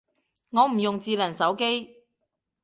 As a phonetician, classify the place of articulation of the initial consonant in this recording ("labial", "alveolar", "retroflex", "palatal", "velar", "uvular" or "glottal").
velar